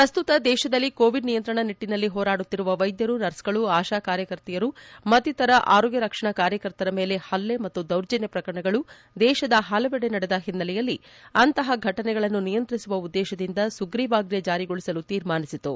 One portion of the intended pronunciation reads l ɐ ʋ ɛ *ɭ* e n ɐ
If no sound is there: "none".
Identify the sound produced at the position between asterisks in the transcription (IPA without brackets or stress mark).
ɽ